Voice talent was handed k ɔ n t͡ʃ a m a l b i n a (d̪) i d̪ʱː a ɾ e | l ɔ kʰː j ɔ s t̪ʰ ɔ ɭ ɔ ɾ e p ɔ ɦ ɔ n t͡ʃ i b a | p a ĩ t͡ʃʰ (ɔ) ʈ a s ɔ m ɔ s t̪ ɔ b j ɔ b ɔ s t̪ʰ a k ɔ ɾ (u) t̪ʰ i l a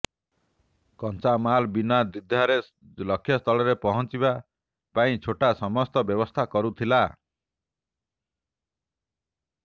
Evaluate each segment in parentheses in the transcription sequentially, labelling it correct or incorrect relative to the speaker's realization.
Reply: correct, incorrect, correct

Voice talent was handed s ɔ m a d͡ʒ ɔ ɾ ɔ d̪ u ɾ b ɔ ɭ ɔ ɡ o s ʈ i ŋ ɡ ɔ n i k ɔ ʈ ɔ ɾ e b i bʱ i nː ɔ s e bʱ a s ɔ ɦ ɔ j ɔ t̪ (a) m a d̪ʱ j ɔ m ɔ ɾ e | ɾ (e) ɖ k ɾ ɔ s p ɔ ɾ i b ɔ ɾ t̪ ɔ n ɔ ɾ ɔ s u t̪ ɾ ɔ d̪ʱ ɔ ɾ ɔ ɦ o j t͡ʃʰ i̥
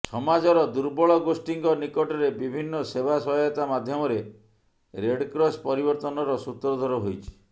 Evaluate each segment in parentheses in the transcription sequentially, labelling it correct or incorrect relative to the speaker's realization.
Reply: correct, correct

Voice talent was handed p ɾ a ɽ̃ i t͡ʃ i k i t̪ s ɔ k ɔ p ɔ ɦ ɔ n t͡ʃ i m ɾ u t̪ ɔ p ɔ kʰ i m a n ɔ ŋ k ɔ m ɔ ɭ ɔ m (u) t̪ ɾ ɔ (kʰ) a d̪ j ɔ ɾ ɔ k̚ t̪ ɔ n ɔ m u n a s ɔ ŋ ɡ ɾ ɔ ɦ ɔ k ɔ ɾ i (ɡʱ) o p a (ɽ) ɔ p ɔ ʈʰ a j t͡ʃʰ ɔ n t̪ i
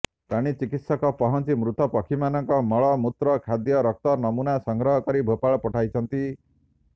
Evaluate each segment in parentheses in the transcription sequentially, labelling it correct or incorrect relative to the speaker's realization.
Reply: correct, correct, incorrect, incorrect

